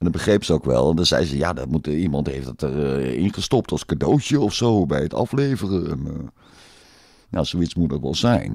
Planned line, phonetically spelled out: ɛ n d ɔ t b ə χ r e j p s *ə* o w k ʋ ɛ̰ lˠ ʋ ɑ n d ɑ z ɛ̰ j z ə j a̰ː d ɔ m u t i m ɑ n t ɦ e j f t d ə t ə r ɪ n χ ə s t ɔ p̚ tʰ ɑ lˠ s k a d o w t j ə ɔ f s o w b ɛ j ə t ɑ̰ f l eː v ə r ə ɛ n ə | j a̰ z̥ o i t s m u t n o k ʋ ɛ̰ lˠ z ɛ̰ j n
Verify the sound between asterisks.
correct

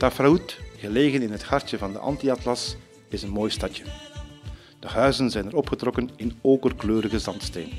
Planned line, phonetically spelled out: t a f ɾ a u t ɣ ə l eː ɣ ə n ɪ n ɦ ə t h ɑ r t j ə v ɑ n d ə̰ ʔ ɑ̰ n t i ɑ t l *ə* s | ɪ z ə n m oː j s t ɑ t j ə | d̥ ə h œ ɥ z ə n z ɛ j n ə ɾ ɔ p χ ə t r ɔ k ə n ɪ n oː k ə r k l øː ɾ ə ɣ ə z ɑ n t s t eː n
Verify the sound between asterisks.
incorrect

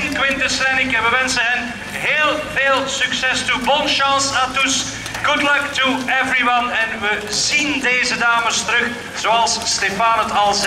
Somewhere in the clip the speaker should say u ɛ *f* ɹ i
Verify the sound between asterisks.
incorrect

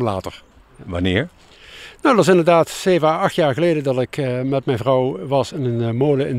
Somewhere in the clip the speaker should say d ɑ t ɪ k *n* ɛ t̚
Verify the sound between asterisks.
incorrect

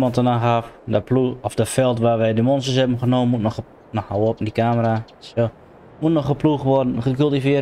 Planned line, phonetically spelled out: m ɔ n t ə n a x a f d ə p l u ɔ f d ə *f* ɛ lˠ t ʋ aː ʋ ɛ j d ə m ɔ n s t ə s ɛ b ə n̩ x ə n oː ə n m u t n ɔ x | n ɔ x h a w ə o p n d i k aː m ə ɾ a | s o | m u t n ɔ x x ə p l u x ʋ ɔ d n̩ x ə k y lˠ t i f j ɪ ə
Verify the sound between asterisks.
correct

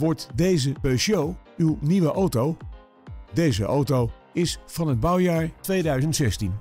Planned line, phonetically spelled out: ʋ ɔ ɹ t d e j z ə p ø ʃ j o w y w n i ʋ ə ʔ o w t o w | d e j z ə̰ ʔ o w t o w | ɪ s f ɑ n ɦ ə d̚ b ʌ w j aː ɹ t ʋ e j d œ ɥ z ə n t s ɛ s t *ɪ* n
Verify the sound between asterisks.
incorrect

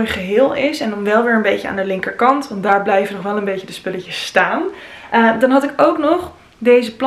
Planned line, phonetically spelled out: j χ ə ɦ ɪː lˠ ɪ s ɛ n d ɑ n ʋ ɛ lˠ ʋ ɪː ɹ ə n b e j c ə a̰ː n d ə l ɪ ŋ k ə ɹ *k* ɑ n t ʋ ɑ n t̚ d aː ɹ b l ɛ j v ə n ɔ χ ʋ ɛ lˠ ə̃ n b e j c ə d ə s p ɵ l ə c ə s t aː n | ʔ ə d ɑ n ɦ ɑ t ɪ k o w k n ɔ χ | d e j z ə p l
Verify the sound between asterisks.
correct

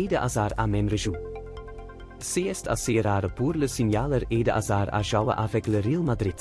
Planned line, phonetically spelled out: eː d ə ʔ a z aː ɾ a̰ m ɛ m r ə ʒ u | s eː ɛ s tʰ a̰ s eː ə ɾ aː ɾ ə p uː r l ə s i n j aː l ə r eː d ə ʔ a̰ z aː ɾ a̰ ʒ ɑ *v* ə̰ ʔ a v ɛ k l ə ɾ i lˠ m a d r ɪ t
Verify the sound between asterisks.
incorrect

